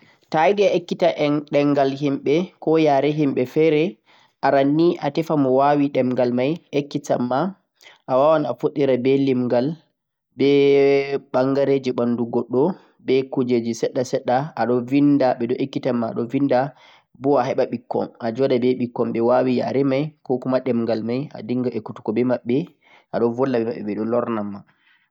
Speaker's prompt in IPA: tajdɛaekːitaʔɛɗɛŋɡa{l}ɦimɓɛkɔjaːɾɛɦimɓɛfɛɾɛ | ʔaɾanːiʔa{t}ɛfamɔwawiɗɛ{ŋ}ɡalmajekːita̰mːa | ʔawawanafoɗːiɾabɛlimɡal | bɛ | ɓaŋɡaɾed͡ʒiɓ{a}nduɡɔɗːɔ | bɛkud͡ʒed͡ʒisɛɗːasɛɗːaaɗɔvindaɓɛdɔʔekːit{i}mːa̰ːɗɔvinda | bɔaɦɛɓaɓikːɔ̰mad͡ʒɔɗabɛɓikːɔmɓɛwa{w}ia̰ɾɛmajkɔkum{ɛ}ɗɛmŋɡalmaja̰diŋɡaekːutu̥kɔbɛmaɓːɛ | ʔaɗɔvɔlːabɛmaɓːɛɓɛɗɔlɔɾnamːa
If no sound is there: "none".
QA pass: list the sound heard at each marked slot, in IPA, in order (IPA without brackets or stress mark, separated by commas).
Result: l, t, m, a, a, w, a